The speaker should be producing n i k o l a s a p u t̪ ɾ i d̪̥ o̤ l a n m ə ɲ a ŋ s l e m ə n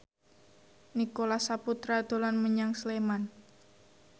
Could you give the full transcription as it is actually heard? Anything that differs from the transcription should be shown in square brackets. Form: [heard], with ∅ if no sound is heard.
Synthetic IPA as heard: n i k o l a s a p u t̪ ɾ [a] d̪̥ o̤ l a n m ə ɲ a ŋ s l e m [a] n